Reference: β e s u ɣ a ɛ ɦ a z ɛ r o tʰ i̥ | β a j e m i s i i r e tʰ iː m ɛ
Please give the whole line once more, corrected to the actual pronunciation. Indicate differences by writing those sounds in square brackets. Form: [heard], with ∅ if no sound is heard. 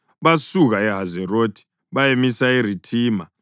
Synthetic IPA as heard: β [a] s u ɣ a ɛ ɦ a z ɛ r o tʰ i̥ | β a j e m i s [a] i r [i] tʰ iː m [a]

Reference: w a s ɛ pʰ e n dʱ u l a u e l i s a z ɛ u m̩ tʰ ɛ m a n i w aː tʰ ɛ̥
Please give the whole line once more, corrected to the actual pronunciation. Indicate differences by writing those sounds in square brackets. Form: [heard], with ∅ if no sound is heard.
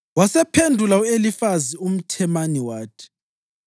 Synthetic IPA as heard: w a s ɛ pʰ e n dʱ u l a u e l i [f] a z [i] u m̩ tʰ ɛ m a n i w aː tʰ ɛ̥

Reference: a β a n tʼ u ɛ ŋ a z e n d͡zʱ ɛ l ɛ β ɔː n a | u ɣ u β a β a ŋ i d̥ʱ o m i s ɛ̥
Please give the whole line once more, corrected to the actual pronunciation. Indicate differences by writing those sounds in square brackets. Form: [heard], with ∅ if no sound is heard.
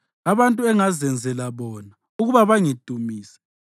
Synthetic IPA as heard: a β a n tʼ u ɛ ŋ a z [ɛ] n d͡zʱ ɛ l [a] β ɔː n a | u ɣ u β a β a ŋ i d̥ʱ [u] m [iː] s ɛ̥

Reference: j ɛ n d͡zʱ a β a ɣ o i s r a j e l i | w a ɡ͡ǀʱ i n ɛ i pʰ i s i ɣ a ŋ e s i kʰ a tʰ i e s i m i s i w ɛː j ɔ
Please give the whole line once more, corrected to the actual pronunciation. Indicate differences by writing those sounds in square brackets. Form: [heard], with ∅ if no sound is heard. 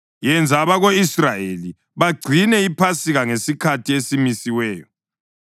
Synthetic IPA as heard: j ɛ n d͡zʱ a β a ɣ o i s r a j e l i | [β] a ɡ͡ǀʱ i n ɛ i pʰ [a] s i ɣ a ŋ e s i kʰ a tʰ i e s i m i s i w ɛː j ɔ

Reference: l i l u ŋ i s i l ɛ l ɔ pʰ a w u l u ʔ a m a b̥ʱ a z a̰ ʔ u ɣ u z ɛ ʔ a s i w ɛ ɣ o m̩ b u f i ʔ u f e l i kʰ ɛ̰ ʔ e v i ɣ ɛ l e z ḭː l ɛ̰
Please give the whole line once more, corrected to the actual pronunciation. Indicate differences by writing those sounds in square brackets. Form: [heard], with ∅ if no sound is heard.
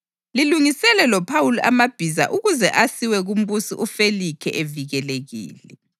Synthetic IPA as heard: l i l u ŋ i s [ɛ] l ɛ l ɔ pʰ a w u l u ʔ a m a b̥ʱ [i] z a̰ ʔ u ɣ u z ɛ ʔ a s i w ɛ ɣ [u] m̩ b u [s] i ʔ u f e l i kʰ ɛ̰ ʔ e v i ɣ ɛ l e [ɣ] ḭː l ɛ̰

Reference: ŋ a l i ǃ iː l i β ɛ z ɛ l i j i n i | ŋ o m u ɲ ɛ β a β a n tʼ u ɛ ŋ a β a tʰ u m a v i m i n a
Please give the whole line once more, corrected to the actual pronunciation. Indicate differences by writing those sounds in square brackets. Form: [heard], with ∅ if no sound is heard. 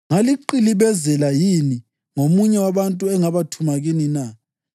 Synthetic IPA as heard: ŋ a l i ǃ [i] l i β ɛ z ɛ l [a] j i n i | ŋ o m u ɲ ɛ [w] a β a n tʼ u ɛ ŋ a β a tʰ u m a [ɣ] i [n] i n a

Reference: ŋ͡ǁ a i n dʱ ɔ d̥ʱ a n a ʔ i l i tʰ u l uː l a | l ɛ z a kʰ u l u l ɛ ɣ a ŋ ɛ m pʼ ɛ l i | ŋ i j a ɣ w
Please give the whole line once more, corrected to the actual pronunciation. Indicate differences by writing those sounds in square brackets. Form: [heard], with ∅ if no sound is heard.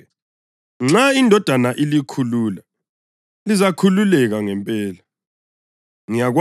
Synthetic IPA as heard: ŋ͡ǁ a i n dʱ ɔ d̥ʱ a n a ʔ i l i [kʰ] u l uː l a | l [i] z a kʰ u l u l ɛ ɣ a ŋ ɛ m pʼ [ɛː] l [a] | ŋ i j a ɣ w

